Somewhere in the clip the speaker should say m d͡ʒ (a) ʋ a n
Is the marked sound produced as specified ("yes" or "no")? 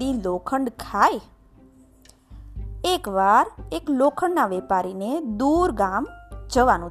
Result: no